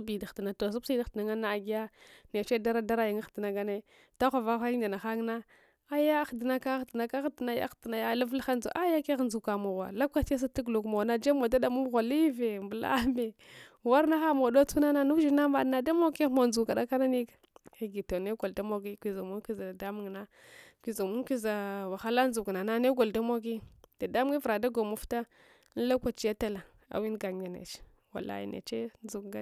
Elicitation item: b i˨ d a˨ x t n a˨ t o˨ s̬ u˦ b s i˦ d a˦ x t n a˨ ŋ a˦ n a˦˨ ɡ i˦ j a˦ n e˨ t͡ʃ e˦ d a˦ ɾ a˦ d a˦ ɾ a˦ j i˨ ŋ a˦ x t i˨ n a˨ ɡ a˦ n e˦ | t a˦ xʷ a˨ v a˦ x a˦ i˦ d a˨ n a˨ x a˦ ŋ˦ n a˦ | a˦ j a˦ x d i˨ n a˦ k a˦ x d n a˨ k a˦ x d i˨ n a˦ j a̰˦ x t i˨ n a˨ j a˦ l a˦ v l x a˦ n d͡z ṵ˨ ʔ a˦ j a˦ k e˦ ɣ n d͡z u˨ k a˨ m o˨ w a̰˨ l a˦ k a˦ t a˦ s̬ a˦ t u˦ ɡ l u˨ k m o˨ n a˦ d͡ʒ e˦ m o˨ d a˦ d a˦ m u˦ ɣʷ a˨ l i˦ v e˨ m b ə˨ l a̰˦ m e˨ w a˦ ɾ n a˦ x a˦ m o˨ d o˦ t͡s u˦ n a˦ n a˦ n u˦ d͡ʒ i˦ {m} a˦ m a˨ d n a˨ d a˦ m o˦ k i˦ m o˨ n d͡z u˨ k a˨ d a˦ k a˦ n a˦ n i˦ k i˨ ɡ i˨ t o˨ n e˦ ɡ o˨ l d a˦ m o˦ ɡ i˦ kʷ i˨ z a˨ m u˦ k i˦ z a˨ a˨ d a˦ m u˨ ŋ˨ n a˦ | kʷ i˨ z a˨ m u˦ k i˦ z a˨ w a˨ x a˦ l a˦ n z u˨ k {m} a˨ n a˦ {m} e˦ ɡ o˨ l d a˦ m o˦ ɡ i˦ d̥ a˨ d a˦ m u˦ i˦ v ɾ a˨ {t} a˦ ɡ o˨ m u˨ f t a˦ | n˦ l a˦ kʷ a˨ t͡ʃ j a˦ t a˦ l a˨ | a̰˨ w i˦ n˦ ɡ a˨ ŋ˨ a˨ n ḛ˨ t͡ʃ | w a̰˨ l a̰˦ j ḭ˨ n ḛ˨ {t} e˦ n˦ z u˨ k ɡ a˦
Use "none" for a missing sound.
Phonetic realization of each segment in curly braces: n, n, n, d, t͡ʃ

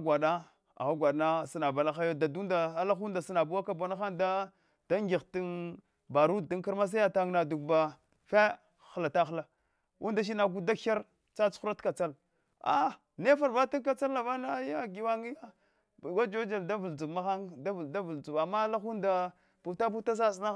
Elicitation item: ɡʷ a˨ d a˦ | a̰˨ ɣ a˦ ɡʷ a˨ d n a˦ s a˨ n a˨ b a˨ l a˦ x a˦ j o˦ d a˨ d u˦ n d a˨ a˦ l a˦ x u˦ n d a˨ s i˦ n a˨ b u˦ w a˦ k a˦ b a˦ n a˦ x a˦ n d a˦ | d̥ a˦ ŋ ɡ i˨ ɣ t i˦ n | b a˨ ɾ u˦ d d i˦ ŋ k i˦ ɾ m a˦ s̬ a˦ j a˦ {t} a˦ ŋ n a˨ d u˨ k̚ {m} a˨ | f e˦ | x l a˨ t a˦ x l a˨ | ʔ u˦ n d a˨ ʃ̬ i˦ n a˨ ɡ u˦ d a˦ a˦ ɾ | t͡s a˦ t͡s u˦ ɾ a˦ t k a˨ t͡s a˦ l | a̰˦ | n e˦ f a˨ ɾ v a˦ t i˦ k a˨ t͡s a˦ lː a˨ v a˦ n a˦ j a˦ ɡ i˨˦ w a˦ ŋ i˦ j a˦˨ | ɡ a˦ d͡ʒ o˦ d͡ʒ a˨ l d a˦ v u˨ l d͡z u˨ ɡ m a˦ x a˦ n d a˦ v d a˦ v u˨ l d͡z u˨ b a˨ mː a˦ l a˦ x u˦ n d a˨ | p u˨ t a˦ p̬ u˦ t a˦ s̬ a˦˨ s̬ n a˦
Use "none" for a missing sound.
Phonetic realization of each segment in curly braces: t, b

